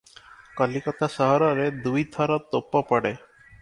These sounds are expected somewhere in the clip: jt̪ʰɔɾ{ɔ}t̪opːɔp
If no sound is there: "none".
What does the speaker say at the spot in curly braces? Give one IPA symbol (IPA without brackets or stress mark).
ɔ